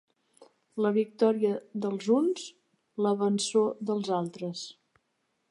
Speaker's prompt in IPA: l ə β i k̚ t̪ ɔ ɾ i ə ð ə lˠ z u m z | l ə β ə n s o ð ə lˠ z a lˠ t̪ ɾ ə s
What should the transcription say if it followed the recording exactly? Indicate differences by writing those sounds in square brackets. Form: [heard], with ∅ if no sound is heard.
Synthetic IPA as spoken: l ə β i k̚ t̪ ɔ ɾ i ə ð ə lˠ z u [n] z | l ə β ə n s o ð ə lˠ z a lˠ t̪ ɾ ə s